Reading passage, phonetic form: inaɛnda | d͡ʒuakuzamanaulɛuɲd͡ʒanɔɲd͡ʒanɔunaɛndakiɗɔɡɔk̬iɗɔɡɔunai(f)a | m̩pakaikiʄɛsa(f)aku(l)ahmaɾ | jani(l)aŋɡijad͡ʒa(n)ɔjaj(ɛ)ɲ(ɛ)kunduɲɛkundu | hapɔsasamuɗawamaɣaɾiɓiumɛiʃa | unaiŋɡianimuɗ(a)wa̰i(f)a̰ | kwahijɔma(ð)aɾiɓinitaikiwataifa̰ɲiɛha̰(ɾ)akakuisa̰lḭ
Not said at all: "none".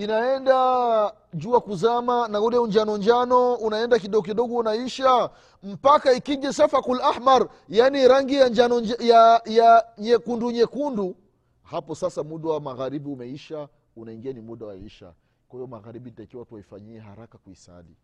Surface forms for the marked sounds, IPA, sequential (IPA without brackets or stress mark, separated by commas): ʃ, f, l, ɾ, n, a, ɛ, a, ʃ, ɣ, ɾ